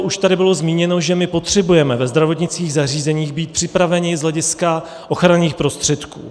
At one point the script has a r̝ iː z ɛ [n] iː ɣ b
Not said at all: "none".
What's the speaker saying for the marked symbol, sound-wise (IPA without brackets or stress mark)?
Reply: ɲ